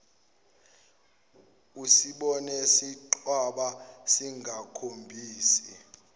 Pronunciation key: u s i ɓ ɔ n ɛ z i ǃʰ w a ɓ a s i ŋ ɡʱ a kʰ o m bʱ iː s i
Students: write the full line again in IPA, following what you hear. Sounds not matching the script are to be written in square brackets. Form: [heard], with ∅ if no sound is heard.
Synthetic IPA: u s i ɓ ɔ n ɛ [s] i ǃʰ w a ɓ a s i ŋ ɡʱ a kʰ o m bʱ iː s i